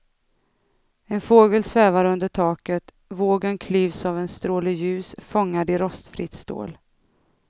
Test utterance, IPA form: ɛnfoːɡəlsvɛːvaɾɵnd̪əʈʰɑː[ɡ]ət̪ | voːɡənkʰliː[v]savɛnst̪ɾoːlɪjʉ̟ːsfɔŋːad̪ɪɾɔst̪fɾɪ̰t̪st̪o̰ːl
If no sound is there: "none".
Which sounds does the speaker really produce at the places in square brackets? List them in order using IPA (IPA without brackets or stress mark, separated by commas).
k, v